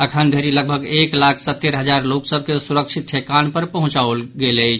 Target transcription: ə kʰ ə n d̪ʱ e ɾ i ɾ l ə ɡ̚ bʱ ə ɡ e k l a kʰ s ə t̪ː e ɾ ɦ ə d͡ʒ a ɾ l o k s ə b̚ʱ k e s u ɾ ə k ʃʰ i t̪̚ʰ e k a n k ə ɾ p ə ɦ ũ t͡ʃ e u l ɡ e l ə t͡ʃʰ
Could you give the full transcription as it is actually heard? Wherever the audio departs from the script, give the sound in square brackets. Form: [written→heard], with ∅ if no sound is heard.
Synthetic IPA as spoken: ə kʰ ə n d̪ʱ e ɾ i [ɾ→∅] l ə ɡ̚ bʱ ə ɡ e k l a kʰ s ə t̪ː e ɾ ɦ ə d͡ʒ a ɾ l o k s ə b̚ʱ k e s u ɾ ə k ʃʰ i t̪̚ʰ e k a n [k→p] ə ɾ p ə ɦ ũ t͡ʃ [e→a] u l ɡ e l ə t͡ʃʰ